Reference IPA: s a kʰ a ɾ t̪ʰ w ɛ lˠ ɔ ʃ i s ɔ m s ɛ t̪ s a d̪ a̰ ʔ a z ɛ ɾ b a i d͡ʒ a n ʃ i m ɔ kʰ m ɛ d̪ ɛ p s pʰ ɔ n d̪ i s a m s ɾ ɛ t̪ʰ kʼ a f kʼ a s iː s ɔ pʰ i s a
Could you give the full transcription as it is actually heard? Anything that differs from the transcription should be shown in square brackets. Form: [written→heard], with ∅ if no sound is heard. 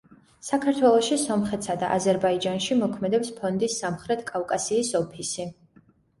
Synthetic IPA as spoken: s a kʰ a ɾ t̪ʰ w ɛ lˠ ɔ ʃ i s ɔ m [s→χ] ɛ t̪ s a d̪ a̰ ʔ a z ɛ ɾ b a i d͡ʒ a n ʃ i m ɔ kʰ m ɛ d̪ ɛ p s pʰ ɔ n d̪ i s a m [s→χ] ɾ ɛ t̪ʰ kʼ a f kʼ a s iː s ɔ pʰ i s [a→i]